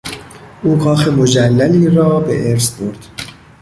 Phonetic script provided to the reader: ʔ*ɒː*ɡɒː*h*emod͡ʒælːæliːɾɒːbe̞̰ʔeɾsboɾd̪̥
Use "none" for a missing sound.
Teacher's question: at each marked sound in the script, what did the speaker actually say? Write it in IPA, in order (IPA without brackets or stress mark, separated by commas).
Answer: uː, x